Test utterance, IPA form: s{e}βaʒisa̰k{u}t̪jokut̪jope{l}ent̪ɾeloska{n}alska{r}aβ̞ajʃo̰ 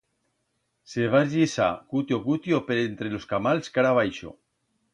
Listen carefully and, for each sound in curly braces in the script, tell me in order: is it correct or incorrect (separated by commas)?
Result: correct, correct, incorrect, incorrect, incorrect